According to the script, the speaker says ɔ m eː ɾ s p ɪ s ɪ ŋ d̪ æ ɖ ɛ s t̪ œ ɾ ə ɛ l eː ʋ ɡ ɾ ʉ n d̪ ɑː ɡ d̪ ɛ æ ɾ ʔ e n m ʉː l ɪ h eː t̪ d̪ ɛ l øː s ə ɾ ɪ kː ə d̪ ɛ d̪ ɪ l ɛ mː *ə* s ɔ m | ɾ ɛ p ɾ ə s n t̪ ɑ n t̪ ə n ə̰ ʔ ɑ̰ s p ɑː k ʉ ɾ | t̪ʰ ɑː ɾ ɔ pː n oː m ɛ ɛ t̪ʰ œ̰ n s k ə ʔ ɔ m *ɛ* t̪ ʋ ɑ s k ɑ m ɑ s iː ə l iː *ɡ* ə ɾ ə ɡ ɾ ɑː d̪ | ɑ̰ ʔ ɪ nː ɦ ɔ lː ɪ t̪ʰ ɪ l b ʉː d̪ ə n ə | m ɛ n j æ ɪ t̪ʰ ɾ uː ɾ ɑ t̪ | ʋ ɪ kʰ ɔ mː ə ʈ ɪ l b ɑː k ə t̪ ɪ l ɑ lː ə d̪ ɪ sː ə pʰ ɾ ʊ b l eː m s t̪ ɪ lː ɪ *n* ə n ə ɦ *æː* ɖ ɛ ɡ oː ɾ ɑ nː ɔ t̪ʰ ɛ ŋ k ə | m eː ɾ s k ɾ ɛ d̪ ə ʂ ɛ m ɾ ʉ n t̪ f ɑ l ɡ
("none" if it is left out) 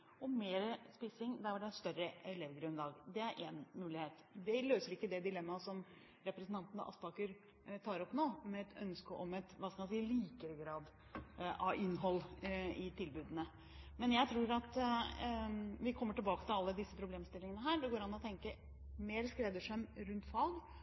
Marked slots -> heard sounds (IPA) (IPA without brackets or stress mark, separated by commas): ɑ, ɛ, k, ŋ, æː